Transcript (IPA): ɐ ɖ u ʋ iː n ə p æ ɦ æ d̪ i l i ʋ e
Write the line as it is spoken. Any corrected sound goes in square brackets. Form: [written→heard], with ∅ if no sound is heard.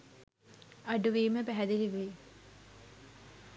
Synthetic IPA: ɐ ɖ u ʋ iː [n→m] ə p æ ɦ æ d̪ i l i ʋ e